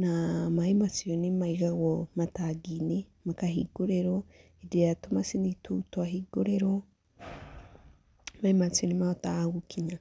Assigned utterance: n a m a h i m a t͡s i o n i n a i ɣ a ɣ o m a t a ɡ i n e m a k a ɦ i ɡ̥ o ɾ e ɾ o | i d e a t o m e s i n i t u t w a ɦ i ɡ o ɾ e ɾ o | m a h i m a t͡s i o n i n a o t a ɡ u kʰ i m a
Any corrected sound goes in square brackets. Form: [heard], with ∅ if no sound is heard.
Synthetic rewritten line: n a m a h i m a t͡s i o n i [m] a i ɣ a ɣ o m a t a ɡ i n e m a k a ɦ i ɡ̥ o ɾ e ɾ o | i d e a t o m [a] s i n i t u t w a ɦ i ɡ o ɾ e ɾ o | m a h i m a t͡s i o n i [m] a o t a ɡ u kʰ i [ɲ] a